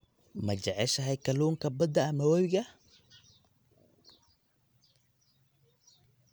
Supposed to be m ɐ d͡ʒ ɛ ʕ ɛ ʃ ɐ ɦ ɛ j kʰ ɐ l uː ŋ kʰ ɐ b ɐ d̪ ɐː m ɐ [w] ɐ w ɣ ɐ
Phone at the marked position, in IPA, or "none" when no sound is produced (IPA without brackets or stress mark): w